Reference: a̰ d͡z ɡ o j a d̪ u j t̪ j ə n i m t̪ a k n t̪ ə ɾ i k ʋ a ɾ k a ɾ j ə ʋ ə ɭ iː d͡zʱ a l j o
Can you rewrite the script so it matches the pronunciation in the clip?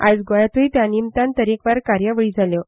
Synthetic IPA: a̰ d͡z ɡ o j a t̪ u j t̪ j a n i m t̪ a n t̪ ə ɾ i k ʋ a ɾ k a ɾ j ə ʋ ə ɭ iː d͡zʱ a l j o